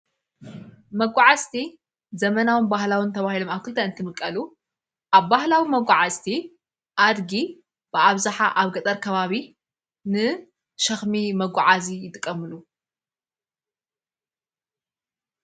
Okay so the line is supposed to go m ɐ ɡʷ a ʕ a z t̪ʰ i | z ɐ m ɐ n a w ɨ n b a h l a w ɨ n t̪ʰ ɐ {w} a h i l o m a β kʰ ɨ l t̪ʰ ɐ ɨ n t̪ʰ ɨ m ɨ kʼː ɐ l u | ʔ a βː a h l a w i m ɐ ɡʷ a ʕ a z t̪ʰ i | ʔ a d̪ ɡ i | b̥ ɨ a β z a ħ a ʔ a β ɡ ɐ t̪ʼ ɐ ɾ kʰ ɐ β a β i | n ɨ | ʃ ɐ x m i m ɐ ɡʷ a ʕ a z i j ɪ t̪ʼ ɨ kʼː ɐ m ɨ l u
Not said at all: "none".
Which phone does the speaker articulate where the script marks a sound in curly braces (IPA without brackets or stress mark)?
β